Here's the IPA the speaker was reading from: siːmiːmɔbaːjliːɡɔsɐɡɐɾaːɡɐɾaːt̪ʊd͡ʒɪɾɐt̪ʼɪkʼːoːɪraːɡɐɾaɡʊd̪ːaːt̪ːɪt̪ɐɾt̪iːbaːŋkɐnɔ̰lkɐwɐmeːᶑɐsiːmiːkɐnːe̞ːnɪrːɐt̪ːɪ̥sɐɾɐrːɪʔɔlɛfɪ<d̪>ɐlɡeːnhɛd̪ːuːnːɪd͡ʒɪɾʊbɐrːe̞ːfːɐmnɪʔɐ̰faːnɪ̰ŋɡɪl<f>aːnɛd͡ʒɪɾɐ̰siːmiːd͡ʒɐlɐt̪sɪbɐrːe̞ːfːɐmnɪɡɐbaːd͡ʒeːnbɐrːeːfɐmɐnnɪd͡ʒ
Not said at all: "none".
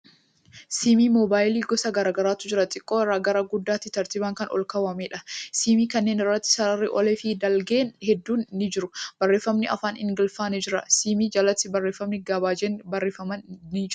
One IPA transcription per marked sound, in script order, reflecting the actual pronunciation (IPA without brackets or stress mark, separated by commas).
d̪, f